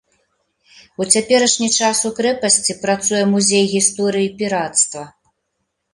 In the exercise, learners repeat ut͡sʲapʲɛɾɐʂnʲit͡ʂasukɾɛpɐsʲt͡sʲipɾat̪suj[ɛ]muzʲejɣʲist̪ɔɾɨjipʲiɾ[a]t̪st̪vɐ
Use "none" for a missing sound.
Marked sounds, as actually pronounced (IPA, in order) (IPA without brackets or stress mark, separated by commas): ɛ, a